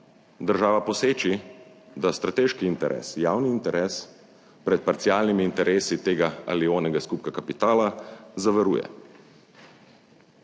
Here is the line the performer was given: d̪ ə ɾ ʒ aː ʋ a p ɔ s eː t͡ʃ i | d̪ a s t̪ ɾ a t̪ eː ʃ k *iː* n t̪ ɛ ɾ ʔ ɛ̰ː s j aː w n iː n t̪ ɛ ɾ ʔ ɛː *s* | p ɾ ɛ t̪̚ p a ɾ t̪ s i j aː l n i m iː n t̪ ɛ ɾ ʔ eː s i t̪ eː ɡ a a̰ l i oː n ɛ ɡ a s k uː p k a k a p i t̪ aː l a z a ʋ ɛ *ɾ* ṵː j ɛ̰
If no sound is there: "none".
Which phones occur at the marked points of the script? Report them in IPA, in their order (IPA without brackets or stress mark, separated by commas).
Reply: iː, s, ɾ